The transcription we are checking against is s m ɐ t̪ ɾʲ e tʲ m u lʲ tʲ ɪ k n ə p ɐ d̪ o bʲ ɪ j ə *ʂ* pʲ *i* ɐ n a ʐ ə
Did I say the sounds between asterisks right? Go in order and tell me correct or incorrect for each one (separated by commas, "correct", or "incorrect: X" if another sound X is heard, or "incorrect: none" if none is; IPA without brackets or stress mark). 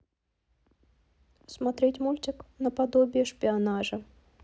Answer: correct, incorrect: ɪ